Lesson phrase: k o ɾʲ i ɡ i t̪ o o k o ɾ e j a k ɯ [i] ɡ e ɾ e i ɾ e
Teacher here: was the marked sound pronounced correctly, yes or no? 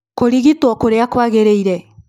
no